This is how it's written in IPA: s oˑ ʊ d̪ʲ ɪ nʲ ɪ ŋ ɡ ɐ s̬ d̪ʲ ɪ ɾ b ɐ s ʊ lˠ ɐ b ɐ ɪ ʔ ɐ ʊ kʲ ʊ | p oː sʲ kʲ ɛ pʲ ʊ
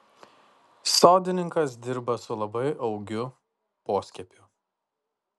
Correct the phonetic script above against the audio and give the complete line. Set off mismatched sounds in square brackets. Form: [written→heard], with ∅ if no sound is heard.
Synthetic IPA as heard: s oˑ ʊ d̪ʲ ɪ nʲ ɪ ŋ [ɡ→k] ɐ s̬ d̪ʲ ɪ ɾ b ɐ s ʊ lˠ ɐ b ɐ ɪ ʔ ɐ ʊ [kʲ→ɡʲ] ʊ | p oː sʲ kʲ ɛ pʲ ʊ